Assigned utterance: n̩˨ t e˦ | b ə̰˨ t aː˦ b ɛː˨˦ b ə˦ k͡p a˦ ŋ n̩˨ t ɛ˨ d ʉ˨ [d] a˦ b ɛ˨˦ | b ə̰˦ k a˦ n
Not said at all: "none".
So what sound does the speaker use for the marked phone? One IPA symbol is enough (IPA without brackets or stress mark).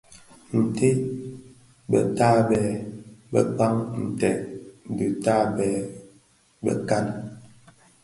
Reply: t